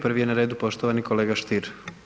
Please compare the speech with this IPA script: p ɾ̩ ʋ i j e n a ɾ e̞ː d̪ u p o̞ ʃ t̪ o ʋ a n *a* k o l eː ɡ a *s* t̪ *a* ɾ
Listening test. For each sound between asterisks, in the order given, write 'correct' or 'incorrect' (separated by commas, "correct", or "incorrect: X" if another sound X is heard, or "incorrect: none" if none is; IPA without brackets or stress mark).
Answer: incorrect: i, incorrect: ʃ, incorrect: i